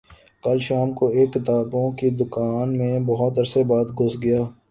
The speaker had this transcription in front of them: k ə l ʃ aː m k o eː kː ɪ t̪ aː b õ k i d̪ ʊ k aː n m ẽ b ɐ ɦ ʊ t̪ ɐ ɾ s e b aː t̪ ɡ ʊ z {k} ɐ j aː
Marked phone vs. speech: incorrect: ɡ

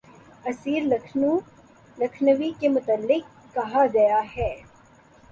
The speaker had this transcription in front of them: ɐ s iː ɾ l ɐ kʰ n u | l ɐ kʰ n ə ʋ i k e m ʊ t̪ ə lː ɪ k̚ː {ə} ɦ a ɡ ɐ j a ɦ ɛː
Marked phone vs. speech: incorrect: ɐ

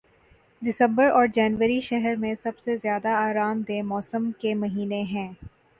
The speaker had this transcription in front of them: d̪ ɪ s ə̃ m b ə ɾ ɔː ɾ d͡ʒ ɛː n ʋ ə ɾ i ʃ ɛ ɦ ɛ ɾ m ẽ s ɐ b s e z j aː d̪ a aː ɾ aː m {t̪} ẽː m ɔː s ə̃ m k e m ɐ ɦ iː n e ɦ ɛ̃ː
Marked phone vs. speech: incorrect: d̪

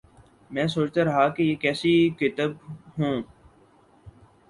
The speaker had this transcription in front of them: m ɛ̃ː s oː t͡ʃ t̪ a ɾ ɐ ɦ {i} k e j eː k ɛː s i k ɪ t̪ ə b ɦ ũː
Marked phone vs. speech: incorrect: a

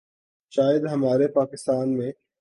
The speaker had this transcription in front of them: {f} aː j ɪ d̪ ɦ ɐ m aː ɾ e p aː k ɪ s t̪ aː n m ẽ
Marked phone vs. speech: incorrect: ʃ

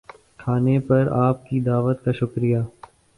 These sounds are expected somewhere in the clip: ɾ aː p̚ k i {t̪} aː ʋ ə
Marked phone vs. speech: incorrect: d̪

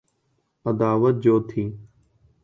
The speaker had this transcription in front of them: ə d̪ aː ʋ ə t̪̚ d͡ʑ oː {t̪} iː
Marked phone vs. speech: incorrect: t̪ʰ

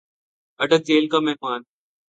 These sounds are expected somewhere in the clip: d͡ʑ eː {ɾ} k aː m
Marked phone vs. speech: incorrect: l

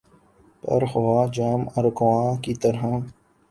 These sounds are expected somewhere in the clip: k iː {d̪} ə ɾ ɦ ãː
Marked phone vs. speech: incorrect: t̪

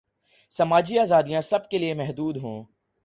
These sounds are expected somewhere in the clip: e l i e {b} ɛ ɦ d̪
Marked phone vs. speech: incorrect: m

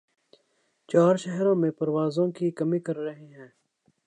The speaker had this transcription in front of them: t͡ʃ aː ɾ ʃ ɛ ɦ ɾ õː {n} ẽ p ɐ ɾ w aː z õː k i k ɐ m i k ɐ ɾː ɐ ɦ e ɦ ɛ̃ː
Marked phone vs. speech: incorrect: m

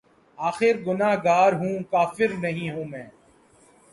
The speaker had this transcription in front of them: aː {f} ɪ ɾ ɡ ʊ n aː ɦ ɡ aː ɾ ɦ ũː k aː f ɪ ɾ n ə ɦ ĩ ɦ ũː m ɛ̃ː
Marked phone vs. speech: incorrect: x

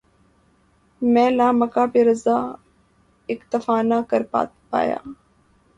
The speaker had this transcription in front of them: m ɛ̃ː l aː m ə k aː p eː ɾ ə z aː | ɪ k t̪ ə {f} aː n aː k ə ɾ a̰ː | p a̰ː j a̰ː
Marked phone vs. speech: correct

